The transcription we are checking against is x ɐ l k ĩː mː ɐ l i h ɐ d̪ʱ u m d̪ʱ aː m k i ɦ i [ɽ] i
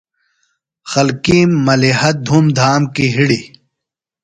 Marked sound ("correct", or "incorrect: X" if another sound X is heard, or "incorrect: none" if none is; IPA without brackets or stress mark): correct